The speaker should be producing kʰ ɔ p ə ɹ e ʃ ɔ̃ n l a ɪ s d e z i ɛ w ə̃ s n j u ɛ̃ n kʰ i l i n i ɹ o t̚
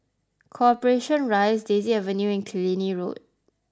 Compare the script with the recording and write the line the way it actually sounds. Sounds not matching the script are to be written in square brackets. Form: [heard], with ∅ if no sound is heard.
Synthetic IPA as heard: kʰ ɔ p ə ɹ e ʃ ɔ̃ n [ɹ] a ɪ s d e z i ɛ [v] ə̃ [∅] n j u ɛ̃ n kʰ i l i n i ɹ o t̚